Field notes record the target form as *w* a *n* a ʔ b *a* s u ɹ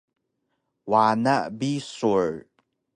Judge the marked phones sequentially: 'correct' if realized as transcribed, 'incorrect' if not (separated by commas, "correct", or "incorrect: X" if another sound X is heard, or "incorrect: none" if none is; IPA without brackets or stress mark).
correct, correct, incorrect: i